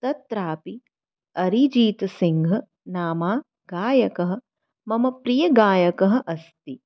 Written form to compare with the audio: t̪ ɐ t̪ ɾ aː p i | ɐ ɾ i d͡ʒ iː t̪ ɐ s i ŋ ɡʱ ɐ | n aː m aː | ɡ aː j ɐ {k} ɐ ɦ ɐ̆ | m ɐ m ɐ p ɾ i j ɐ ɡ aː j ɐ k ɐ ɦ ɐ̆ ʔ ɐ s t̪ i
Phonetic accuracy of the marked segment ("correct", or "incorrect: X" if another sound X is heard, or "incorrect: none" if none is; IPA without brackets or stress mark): correct